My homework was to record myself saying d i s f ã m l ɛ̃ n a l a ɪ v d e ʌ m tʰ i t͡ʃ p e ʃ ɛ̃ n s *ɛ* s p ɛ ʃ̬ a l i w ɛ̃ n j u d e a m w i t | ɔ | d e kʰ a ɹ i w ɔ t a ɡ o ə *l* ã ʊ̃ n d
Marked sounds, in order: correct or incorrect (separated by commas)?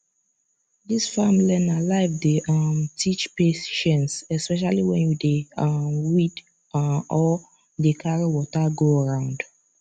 correct, incorrect